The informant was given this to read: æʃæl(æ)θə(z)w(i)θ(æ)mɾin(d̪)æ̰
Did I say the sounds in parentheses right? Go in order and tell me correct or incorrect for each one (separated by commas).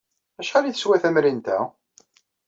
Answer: incorrect, incorrect, incorrect, correct, incorrect